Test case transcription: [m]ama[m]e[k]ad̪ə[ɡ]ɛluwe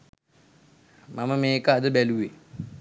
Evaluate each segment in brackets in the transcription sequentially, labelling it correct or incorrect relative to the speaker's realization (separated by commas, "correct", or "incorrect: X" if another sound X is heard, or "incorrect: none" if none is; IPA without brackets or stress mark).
correct, correct, correct, incorrect: b